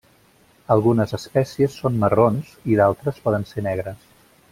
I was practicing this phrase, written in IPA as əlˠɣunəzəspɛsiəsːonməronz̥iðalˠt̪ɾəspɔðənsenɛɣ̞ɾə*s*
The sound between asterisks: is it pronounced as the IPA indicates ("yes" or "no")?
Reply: yes